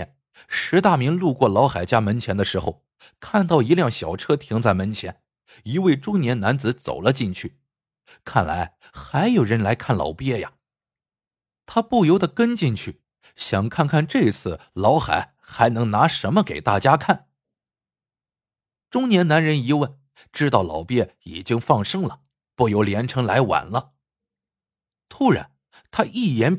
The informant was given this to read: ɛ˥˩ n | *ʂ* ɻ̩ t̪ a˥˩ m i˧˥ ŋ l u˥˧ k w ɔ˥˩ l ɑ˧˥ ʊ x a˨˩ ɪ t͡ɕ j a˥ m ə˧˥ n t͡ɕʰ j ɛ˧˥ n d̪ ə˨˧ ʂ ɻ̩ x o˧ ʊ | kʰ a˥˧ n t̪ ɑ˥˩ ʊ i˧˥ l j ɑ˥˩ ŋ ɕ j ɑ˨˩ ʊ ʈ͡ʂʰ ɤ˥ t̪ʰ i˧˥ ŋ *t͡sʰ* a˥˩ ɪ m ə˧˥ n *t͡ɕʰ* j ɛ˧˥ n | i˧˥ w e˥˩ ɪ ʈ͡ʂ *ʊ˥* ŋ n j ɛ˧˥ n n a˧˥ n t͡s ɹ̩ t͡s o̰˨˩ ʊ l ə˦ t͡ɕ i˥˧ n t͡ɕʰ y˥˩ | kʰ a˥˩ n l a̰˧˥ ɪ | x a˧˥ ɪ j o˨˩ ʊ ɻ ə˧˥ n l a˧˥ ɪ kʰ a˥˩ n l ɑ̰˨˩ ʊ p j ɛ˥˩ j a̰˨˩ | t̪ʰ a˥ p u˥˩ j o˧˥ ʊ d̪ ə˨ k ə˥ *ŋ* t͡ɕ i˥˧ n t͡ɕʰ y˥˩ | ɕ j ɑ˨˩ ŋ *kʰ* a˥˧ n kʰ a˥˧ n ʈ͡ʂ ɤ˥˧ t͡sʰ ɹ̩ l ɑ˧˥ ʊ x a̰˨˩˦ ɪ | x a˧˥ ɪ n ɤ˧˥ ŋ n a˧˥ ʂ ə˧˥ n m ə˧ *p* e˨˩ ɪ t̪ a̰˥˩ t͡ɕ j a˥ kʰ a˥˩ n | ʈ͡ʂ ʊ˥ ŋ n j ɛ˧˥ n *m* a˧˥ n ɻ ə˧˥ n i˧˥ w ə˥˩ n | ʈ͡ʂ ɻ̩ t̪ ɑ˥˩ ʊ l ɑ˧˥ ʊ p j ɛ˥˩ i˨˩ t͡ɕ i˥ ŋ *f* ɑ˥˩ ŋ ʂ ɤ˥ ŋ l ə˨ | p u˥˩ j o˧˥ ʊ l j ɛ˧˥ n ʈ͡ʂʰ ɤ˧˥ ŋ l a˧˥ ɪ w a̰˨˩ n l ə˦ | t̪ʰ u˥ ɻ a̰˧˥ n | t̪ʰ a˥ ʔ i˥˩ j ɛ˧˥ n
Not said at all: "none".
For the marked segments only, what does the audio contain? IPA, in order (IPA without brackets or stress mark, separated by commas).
ʂ, t͡s, t͡ɕʰ, ʊ˥, n, kʰ, k, n, f